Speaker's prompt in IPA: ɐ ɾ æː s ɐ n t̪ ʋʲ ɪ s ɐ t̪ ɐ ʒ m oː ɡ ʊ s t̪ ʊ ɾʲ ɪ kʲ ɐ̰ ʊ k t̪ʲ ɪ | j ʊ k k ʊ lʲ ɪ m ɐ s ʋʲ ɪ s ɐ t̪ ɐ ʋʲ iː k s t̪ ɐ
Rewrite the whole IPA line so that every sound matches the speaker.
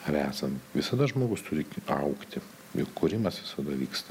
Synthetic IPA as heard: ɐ ɾ æː s ɐ n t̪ ʋʲ ɪ s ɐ d̪ ɐ ʒ m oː ɡ ʊ s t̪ ʊ ɾʲ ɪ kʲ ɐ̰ ʊ k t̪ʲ ɪ | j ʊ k k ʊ ɾʲ ɪ m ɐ s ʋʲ ɪ s ɐ d̪ ɐ ʋʲ iː k s t̪ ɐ